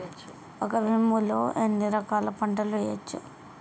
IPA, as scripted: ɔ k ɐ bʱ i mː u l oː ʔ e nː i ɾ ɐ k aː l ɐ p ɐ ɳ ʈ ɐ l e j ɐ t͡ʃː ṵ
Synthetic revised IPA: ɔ k ɐ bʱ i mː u l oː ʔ e nː i ɾ ɐ k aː l ɐ p ɐ ɳ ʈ ɐ l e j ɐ t͡ʃː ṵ